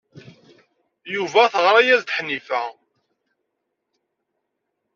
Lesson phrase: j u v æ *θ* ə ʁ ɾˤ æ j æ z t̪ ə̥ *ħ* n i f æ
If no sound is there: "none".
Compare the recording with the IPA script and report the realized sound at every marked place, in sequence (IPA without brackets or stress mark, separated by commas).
θ, ħ